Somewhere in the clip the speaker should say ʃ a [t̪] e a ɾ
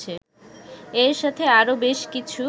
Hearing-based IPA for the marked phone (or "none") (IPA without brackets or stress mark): t̪ʰ